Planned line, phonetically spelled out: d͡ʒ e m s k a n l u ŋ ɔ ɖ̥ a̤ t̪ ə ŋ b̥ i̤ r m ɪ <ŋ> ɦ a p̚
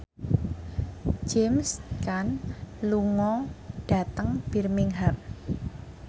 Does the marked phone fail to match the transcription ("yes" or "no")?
no